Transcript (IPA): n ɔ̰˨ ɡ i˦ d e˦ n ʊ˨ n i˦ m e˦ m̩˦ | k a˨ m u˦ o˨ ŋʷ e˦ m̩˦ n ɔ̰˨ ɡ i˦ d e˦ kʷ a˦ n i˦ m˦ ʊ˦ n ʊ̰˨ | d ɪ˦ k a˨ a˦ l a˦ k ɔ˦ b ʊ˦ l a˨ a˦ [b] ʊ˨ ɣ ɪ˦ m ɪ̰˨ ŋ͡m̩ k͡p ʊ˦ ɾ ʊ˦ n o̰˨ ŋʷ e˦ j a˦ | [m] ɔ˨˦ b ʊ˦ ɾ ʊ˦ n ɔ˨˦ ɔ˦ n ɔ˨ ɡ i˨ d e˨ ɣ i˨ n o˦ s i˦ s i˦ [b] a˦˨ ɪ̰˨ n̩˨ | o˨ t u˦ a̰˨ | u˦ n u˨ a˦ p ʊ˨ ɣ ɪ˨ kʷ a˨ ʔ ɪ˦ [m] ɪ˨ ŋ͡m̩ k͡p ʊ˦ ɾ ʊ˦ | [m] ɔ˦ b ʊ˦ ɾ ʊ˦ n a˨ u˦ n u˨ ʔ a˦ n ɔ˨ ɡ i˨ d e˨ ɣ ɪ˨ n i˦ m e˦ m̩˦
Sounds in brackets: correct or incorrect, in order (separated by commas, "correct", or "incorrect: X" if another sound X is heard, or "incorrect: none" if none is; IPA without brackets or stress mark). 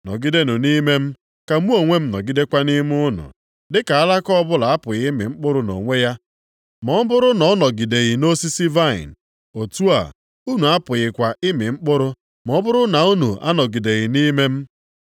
incorrect: p, correct, incorrect: v, correct, correct